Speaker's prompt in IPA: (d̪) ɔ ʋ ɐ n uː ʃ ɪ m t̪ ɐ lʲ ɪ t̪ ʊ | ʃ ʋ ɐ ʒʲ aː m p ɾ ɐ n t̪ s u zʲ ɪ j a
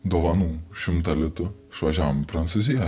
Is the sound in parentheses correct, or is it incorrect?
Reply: correct